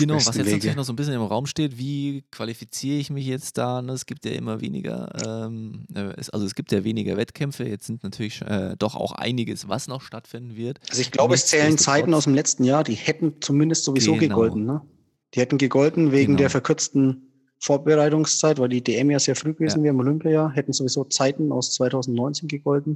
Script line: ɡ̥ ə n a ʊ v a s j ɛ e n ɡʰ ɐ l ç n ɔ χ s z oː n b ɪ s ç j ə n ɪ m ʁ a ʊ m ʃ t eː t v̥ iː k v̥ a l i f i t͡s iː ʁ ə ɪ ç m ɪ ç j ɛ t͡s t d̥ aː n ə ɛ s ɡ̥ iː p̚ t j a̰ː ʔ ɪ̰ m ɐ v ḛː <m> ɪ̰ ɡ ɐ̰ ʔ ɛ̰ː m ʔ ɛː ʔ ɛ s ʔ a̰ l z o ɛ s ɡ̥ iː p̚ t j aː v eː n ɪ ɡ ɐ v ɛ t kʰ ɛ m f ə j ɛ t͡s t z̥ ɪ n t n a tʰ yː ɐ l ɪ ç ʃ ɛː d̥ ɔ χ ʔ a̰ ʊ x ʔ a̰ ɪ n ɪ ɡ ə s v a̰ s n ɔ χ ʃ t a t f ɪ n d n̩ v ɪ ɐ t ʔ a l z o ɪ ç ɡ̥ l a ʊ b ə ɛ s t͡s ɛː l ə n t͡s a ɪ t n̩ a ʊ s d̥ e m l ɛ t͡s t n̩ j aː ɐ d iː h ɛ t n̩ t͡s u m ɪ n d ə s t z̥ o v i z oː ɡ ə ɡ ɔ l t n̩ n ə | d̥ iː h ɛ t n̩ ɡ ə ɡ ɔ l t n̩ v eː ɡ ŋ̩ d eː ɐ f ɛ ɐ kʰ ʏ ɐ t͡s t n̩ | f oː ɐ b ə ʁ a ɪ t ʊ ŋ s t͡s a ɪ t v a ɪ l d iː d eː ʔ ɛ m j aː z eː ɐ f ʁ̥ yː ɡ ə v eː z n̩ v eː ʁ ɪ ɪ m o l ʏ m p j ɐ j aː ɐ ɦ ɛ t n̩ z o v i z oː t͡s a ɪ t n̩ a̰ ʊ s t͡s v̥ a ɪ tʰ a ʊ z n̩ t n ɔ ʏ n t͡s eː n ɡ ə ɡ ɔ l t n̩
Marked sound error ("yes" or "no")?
yes